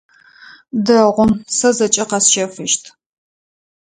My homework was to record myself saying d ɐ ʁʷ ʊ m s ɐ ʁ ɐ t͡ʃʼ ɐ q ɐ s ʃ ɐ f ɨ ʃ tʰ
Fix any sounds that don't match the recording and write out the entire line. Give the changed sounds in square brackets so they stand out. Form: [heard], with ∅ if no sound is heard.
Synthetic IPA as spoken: d ɐ ʁʷ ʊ m s ɐ [z] ɐ t͡ʃʼ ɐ q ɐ s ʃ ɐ f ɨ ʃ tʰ